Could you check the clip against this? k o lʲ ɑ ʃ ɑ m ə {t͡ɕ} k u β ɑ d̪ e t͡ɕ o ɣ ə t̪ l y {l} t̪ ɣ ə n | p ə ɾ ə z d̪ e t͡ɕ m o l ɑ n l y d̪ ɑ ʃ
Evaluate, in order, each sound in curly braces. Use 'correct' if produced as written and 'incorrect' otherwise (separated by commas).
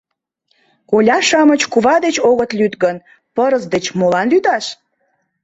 correct, incorrect